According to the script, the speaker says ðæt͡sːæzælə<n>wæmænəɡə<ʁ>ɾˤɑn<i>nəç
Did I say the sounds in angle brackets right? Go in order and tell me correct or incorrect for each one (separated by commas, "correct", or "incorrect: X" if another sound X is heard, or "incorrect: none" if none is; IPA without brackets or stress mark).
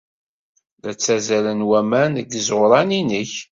correct, incorrect: z, correct